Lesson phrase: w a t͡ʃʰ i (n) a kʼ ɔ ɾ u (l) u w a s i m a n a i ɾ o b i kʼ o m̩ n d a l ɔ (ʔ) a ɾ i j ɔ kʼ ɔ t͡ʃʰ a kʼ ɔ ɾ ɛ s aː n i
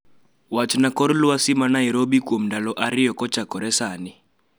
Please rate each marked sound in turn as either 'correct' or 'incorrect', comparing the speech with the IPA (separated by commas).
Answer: correct, correct, correct